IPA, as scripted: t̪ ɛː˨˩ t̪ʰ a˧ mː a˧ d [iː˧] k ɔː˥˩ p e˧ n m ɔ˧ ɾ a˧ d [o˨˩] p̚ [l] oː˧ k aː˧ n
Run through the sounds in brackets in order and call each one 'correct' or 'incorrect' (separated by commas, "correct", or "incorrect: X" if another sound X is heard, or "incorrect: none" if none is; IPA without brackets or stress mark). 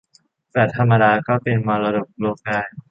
incorrect: aː˧, correct, correct